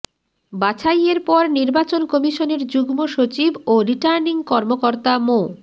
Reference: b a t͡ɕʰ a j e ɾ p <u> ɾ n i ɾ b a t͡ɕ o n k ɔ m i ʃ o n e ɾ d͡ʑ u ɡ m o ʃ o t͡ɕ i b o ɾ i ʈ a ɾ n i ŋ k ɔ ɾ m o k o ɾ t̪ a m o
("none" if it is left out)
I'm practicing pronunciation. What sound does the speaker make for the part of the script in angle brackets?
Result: ɔ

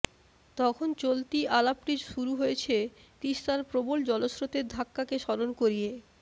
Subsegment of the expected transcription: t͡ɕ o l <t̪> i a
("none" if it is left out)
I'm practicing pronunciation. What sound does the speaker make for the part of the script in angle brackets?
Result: t̪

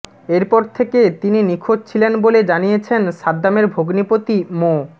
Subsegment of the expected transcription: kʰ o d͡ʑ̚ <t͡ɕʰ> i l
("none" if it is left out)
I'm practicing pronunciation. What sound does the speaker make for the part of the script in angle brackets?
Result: t͡ɕʰ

